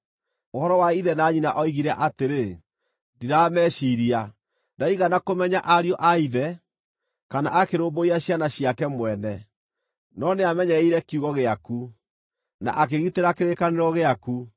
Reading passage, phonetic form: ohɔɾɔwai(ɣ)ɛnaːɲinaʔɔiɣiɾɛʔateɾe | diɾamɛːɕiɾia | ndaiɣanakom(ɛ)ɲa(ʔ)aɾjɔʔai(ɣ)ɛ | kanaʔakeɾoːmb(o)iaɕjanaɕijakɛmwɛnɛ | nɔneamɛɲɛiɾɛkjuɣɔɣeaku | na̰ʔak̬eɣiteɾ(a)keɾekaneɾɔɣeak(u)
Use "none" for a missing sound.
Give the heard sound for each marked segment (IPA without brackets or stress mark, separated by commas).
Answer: ð, ɛ, ʔ, ð, o, a, u